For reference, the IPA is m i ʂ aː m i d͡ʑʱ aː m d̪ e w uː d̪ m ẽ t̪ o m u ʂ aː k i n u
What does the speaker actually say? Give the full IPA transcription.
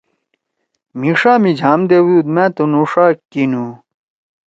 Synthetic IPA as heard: m i ʂ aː m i d͡ʑʱ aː m d̪ e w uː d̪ m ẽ t̪ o n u ʂ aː k i n u